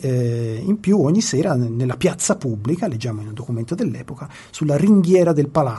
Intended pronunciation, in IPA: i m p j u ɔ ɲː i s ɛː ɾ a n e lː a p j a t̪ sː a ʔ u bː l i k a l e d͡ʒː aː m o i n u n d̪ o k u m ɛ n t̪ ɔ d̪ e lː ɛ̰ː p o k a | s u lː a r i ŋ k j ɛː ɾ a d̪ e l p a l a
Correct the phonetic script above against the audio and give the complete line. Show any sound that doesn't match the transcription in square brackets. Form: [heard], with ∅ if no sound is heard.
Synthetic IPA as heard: i m p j u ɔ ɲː i s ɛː ɾ a n e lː a p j a t̪ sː a [p] u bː l i k a l e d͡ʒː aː m o i n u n d̪ o k u m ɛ n t̪ [o] d̪ e lː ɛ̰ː p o k a | s u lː a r i ŋ [ɡ] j ɛː ɾ a d̪ e l p a l a